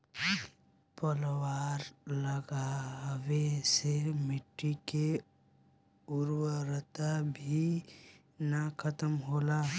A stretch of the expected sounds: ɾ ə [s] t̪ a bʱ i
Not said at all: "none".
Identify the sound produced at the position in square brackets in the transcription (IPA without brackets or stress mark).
none